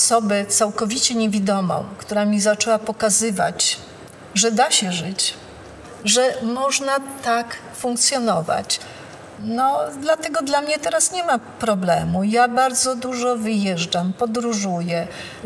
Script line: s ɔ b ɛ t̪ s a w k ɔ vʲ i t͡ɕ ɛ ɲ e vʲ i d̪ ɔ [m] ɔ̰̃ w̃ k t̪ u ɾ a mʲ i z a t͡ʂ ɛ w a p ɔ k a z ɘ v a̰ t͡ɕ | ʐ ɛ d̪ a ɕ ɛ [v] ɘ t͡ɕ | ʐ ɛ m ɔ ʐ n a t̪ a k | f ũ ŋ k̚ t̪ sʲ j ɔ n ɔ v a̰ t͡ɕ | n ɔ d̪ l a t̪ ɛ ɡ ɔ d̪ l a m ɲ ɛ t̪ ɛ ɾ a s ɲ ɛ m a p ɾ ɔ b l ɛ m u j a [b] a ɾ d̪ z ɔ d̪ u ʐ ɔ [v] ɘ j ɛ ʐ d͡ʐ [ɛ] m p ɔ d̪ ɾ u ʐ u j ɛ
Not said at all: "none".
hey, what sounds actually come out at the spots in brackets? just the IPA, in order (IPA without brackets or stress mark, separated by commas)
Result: m, ʐ, b, v, a